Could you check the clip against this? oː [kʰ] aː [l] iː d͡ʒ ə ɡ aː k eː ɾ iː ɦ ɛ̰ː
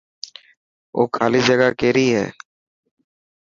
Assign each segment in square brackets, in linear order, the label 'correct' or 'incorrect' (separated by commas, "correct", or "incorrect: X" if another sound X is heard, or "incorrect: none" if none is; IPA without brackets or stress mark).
correct, correct